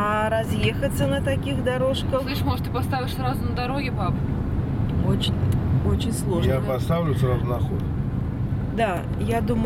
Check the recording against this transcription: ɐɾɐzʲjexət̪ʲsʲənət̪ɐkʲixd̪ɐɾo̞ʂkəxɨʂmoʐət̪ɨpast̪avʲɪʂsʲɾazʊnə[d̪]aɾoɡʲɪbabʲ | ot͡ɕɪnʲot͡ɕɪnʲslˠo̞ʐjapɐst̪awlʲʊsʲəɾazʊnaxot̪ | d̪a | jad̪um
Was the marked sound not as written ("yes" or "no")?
no